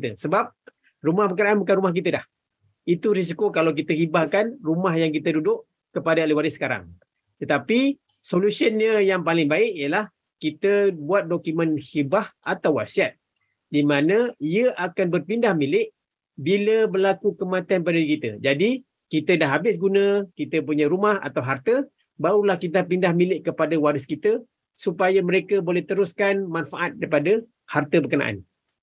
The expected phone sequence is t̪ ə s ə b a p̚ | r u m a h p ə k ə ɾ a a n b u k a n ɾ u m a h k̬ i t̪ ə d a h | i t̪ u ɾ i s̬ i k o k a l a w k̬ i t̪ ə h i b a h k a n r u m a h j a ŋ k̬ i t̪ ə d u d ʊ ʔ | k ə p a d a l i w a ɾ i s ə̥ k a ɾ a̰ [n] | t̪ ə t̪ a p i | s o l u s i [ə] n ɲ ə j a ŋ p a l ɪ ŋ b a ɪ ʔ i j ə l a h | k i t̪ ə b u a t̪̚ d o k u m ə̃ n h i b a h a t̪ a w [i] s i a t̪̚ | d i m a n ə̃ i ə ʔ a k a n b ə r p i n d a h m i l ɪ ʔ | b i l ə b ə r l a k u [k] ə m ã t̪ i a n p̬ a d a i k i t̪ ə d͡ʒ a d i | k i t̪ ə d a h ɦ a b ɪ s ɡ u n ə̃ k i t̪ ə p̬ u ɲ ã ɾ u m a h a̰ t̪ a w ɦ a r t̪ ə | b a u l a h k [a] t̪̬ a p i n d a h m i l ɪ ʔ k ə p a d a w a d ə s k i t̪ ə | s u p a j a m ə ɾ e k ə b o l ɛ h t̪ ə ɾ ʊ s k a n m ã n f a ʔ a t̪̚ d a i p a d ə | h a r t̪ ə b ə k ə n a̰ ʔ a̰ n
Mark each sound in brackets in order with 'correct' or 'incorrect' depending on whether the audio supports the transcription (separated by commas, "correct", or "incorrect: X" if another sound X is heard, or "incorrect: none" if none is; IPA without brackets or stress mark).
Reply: incorrect: ŋ, correct, incorrect: a, correct, incorrect: i